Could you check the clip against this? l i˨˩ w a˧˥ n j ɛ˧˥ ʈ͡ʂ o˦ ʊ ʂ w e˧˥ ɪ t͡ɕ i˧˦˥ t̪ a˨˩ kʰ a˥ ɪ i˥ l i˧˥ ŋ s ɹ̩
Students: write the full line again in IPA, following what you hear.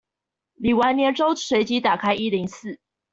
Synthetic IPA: l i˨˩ w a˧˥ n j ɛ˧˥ ʈ͡ʂ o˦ ʊ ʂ w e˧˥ ɪ t͡ɕ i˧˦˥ t̪ a˨˩ kʰ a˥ ɪ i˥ l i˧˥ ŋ s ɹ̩